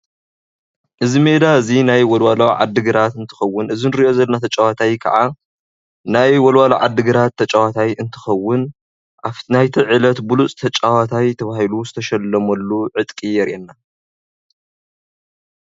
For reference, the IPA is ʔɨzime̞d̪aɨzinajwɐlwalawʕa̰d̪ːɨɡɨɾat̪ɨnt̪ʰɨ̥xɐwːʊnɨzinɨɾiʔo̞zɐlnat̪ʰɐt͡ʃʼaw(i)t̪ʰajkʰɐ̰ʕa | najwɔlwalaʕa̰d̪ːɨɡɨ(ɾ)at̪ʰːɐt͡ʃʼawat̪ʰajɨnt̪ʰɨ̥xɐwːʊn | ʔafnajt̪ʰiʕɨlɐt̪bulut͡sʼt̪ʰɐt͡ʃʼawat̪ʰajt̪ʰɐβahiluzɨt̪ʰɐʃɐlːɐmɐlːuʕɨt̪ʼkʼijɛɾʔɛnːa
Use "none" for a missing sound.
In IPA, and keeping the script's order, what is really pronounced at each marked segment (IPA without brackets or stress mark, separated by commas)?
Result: a, ɾ